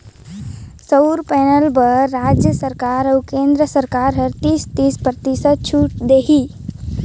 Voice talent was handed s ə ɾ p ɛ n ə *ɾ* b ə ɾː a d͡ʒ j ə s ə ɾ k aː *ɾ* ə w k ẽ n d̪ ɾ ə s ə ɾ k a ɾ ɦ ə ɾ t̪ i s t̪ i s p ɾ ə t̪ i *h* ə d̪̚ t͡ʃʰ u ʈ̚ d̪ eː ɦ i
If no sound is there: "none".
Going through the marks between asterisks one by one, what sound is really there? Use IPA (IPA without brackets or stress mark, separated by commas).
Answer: l, ɾ, s